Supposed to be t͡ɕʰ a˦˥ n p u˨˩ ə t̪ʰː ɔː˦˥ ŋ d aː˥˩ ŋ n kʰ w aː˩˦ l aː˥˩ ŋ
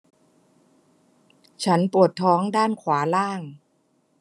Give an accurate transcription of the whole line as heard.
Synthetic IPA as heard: t͡ɕʰ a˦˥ n p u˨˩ ə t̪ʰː ɔː˦˥ ŋ d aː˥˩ n kʰ w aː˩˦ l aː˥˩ ŋ